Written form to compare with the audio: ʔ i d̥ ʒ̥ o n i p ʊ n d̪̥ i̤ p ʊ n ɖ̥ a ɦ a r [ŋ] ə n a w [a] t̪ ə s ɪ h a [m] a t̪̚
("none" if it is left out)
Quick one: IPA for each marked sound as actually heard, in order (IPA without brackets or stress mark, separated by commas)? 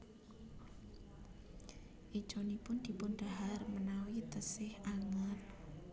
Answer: m, i, ŋ